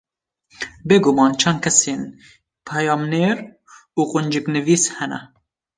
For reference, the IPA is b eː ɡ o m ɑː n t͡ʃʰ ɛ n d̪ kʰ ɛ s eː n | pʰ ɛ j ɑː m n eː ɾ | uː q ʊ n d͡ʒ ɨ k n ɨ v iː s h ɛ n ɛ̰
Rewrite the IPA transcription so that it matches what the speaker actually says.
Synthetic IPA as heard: b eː ɡ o m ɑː n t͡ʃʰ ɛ n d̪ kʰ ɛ s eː n | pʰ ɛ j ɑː m n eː ɾ | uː q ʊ n d͡ʒ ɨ k n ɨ v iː s h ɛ n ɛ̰